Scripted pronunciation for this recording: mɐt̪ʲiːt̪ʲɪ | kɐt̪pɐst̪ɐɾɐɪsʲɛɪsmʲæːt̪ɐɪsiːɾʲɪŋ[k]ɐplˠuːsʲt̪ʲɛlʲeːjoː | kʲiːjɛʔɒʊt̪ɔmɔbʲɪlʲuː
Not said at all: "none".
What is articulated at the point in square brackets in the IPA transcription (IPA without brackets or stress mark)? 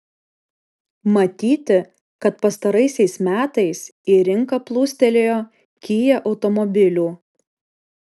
k